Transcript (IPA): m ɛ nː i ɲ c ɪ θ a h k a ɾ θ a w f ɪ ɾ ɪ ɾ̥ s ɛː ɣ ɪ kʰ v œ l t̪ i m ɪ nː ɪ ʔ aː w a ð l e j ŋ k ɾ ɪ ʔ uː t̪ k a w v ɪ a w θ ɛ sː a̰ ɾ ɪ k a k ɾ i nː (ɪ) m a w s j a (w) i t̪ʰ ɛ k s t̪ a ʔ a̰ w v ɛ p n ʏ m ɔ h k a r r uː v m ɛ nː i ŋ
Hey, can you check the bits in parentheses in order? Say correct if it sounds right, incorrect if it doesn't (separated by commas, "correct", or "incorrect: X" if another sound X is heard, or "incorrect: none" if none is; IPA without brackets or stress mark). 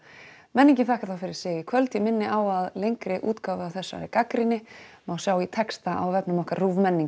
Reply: correct, correct